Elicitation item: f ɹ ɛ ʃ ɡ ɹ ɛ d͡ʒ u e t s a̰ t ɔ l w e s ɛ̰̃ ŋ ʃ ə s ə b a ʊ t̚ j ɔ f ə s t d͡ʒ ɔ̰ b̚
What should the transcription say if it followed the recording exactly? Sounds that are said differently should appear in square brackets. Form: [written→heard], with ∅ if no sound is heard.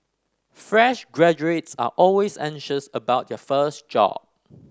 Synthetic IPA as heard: f ɹ ɛ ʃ ɡ ɹ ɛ d͡ʒ u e t s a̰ [t→ʔ] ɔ l w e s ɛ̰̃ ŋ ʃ ə s ə b a ʊ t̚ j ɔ f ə s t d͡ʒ ɔ̰ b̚